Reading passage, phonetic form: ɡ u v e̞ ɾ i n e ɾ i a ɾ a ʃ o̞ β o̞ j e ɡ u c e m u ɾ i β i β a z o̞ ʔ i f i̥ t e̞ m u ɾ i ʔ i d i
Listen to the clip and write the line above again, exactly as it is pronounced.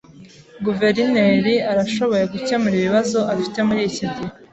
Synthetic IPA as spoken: ɡ u v e̞ ɾ i n e ɾ i a ɾ a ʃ o̞ β o̞ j e ɡ u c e m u ɾ i β i β a z o̞ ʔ a f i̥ t e̞ m u ɾ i c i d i